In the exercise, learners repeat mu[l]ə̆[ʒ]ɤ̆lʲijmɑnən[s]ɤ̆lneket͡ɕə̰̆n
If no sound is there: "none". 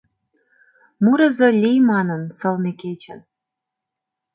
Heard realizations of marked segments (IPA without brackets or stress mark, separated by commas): ɾ, z, s